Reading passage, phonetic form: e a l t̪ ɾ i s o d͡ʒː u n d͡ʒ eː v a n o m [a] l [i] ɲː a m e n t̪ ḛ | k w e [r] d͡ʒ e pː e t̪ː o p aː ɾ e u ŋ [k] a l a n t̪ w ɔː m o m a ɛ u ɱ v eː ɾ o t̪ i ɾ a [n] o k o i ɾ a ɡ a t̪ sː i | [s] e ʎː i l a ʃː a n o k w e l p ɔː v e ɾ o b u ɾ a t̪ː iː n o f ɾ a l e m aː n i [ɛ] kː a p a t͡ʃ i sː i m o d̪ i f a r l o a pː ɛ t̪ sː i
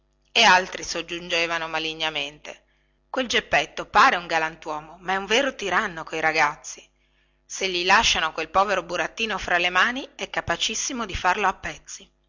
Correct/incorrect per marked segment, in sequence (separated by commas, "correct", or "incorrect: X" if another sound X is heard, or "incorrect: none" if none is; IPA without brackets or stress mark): correct, correct, incorrect: l, incorrect: ɡ, incorrect: nː, correct, correct